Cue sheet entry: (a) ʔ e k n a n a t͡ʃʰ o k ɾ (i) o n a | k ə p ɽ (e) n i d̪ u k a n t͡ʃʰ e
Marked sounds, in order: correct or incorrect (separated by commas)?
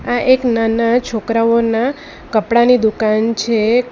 correct, incorrect, incorrect